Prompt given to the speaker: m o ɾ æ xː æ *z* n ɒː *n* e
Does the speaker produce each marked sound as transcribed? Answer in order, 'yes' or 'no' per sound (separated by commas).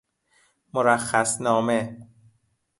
no, no